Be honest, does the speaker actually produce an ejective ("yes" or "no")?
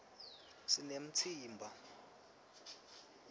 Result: no